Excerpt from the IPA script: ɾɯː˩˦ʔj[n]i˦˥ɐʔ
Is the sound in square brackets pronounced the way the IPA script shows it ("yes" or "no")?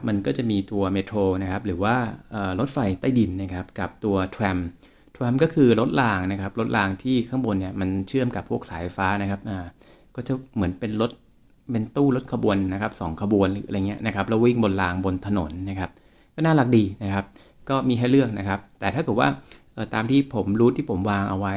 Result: no